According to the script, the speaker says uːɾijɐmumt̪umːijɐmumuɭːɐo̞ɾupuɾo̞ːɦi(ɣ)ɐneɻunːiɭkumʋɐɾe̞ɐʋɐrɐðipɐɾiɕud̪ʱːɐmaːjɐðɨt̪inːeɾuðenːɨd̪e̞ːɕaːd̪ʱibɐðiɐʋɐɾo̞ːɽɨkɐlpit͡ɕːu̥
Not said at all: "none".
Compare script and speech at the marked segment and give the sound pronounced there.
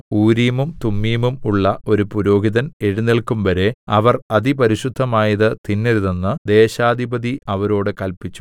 ð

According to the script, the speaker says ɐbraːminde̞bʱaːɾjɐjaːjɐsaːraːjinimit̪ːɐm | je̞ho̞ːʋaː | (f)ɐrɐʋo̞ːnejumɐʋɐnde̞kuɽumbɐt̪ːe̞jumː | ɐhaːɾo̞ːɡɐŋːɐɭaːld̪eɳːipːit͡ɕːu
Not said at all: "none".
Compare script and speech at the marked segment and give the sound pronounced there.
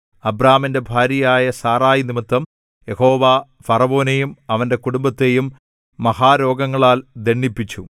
f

